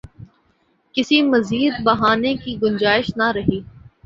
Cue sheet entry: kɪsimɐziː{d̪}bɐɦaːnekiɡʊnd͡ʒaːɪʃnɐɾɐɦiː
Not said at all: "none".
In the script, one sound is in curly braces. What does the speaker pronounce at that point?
d̪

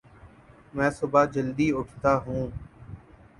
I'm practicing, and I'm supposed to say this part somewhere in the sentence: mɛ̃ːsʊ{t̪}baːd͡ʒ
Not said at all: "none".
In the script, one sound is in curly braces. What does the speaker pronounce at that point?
none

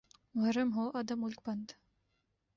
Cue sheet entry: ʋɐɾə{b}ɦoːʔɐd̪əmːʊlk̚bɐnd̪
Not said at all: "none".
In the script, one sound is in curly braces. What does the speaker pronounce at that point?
m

